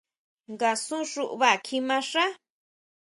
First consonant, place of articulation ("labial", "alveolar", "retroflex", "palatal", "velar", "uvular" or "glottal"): velar